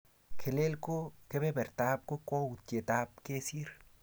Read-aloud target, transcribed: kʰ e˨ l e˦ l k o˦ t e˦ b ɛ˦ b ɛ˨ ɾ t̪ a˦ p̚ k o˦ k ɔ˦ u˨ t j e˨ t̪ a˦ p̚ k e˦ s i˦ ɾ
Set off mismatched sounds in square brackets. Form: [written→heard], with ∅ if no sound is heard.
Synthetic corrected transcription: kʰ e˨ l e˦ l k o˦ [t→k] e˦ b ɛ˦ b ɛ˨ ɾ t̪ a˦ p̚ k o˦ k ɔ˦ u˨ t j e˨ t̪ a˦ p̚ k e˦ s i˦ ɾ